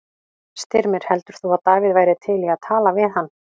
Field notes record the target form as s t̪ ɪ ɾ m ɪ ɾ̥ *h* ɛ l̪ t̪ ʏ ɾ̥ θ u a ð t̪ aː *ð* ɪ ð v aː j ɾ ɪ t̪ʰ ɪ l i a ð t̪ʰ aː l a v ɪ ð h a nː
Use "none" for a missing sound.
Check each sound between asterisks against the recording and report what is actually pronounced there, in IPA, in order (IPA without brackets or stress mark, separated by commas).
h, v